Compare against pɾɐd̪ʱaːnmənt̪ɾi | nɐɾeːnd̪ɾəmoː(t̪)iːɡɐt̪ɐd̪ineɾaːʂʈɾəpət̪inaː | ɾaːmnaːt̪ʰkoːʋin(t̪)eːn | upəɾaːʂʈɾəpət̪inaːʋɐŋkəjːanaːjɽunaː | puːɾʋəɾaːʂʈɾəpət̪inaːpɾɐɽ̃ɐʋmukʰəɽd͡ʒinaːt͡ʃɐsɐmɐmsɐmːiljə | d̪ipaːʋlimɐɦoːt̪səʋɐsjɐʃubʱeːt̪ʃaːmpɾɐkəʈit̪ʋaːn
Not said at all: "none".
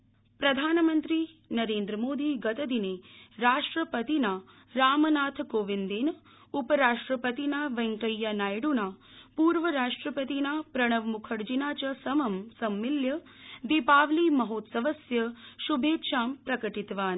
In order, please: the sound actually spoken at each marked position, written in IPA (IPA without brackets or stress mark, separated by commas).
d̪, d̪